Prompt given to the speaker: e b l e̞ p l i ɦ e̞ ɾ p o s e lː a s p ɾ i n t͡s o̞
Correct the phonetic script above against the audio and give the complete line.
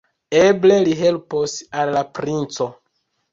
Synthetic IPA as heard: e b l e̞ l i ɦ e̞ l p o s a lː a p ɾ i n t͡s o̞